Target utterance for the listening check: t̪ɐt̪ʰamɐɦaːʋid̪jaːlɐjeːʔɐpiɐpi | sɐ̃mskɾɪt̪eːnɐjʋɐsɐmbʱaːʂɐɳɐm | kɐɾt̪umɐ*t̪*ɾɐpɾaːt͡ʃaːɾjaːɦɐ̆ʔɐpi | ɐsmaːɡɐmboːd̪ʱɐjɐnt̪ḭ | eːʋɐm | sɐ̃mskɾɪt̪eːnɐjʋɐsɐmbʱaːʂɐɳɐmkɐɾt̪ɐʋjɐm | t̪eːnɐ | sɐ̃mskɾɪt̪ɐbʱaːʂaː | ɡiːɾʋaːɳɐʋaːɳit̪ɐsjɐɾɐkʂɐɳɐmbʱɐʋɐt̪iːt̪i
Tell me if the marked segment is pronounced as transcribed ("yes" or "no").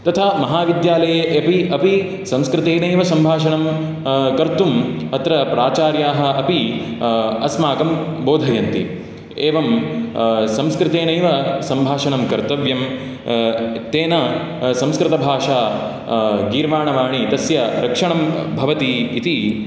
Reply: yes